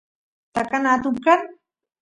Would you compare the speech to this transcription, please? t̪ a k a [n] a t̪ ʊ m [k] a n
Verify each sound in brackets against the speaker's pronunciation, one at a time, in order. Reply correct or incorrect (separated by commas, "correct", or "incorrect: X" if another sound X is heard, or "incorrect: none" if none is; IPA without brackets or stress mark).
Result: correct, correct